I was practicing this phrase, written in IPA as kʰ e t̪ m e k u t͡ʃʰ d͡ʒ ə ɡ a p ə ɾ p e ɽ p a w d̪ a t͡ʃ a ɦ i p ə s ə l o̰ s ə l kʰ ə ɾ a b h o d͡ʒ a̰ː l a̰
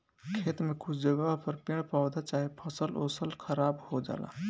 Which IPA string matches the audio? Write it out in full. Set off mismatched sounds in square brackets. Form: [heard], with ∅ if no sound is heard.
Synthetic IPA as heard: kʰ e t̪ m e k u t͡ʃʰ d͡ʒ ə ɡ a p ə ɾ p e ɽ p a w d̪ a t͡ʃ a ɦ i [pʰ] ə s ə l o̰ s ə l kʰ ə ɾ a b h o d͡ʒ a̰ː l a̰